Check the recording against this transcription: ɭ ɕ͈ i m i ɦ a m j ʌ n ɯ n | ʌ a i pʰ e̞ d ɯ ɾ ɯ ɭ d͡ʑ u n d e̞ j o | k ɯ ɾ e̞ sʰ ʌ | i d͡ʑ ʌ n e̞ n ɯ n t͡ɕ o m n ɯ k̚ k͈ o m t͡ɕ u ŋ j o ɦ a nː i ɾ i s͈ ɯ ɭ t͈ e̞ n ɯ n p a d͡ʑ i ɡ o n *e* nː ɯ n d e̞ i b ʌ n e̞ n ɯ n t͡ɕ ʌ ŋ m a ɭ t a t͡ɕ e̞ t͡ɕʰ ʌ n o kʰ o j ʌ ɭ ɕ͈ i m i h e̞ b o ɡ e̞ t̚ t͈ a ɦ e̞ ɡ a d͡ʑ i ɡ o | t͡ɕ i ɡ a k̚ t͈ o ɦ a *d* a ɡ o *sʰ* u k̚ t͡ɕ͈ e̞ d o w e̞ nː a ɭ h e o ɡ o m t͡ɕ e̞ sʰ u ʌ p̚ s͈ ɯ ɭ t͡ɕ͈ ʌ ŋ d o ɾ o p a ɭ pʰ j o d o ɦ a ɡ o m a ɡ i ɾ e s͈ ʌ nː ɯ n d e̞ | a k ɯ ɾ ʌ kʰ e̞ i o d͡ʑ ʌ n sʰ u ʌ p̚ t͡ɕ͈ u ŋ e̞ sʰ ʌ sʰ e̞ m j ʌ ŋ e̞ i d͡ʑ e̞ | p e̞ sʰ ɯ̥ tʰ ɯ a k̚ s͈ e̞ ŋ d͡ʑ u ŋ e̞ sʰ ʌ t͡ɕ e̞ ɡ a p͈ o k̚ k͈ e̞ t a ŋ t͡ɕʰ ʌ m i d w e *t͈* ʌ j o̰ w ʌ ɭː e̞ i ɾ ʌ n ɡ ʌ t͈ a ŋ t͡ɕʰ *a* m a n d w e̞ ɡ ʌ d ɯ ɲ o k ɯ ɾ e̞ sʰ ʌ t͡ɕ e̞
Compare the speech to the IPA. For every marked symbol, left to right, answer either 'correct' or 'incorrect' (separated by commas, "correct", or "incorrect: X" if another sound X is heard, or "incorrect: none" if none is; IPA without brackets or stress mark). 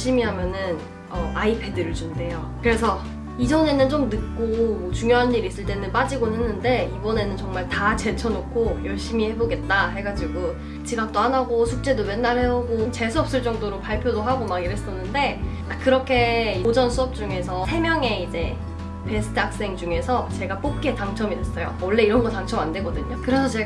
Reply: correct, incorrect: n, correct, incorrect: s͈, incorrect: ʌ